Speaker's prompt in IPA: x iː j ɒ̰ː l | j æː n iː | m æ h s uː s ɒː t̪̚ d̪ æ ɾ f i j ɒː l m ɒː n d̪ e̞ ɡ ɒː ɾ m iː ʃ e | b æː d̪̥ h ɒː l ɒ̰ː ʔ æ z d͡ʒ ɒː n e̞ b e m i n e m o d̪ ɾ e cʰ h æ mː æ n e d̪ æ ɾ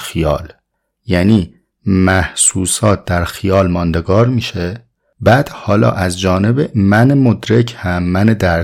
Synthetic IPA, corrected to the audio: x i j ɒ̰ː l | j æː n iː | m æ h s uː s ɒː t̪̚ d̪ æ ɾ x i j ɒː l m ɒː n d̪ e̞ ɡ ɒː ɾ m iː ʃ e | b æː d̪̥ h ɒː l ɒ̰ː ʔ æ z d͡ʒ ɒː n e̞ b e m æ n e m o d̪ ɾ e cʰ h æ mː æ n e d̪ æ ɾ